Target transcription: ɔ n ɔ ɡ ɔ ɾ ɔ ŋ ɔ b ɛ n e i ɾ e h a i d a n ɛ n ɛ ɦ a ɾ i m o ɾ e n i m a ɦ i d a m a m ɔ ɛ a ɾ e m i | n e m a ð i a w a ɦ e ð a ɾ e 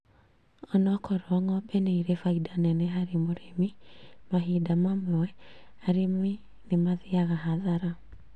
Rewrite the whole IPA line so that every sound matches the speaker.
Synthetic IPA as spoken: ɔ n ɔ k ɔ ɾ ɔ ŋ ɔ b ɛ n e i ɾ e f a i d a n ɛ n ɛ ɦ a ɾ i m o ɾ e m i m a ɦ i d a m a m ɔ ɛ a ɾ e m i | n e m a ð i a ɣ a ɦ a ð a ɾ a